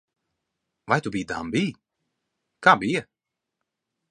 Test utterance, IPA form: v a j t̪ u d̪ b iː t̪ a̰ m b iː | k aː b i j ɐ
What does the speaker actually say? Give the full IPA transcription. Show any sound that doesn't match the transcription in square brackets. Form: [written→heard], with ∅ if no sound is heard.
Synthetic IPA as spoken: v a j t̪ u [d̪→∅] b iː [t̪→d̪] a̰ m b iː | k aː b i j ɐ